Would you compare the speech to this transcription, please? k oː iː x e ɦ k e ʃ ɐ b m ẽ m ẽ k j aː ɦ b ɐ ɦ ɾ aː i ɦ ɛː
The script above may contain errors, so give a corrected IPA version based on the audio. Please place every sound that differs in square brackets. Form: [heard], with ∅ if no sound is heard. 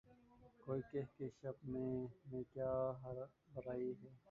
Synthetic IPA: k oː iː [k] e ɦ k e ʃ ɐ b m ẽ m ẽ k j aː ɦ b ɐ [∅] ɾ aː i ɦ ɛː